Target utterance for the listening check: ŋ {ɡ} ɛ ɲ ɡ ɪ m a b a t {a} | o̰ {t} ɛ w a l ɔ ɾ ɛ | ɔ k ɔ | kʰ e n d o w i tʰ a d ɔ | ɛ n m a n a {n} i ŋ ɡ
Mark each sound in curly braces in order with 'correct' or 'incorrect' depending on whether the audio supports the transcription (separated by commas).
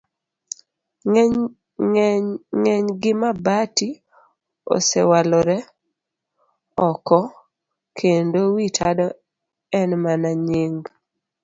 incorrect, incorrect, incorrect, incorrect